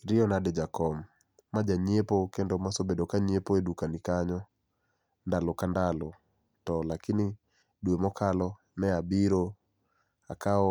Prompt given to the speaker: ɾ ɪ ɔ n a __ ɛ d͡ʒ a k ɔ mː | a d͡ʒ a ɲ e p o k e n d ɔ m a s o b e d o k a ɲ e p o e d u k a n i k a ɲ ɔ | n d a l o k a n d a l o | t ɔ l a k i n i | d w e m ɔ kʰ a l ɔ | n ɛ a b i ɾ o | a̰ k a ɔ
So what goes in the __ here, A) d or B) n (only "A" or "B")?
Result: A